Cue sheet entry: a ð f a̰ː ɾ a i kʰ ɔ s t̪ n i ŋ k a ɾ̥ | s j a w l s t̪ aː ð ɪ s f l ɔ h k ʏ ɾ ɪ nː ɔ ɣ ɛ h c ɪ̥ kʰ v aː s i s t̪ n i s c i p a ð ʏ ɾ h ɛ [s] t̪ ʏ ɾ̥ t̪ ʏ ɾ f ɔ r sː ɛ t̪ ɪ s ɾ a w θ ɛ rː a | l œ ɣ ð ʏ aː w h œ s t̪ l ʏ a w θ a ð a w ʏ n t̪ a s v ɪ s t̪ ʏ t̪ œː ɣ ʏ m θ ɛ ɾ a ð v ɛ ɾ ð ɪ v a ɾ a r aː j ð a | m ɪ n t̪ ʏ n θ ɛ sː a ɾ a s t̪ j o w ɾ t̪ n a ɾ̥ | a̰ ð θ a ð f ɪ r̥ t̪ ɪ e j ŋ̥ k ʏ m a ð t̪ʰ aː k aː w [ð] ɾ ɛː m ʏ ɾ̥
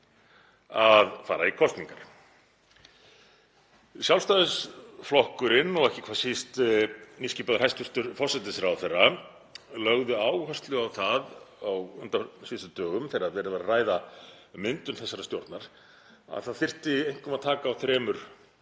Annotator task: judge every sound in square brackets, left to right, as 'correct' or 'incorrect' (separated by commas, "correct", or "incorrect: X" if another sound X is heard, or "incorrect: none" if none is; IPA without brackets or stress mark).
correct, incorrect: θ